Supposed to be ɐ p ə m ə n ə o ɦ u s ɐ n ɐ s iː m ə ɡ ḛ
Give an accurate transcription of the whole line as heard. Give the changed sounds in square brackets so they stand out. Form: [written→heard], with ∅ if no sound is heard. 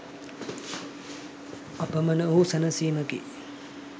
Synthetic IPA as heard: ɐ p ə m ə n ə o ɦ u s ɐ n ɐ s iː m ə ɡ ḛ